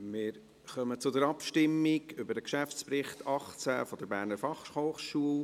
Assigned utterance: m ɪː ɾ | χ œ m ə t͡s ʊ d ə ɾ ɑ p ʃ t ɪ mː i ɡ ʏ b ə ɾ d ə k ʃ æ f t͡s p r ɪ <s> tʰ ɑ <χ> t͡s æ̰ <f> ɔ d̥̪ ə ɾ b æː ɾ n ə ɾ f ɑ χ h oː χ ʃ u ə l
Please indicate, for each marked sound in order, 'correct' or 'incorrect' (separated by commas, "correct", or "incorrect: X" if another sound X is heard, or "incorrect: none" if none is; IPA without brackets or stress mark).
incorrect: χ, correct, correct